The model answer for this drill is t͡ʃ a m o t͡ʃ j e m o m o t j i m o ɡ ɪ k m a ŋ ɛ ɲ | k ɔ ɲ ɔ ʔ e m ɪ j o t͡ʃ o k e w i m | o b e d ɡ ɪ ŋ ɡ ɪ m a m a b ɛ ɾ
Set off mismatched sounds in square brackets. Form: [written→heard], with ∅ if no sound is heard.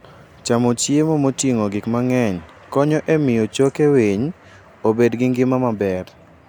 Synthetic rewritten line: t͡ʃ a m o t͡ʃ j e m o m o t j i [m→ŋ] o ɡ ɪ k m a ŋ ɛ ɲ | k ɔ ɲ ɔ ʔ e m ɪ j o t͡ʃ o k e w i [m→ɲ] | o b e d ɡ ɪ ŋ ɡ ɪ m a m a b ɛ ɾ